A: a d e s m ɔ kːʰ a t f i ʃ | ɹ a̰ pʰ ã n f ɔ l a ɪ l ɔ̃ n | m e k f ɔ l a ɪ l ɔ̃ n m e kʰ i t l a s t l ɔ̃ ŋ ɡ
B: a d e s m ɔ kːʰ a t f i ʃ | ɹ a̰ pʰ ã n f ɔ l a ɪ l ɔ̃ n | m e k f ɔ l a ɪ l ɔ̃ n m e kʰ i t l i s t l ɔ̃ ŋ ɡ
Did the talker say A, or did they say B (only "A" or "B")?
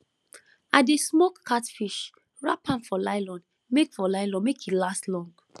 A